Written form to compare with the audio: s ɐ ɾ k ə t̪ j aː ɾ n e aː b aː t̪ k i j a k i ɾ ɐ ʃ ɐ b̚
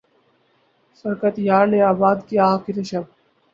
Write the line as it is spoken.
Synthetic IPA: s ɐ ɾ k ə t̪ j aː ɾ n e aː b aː d̪ k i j a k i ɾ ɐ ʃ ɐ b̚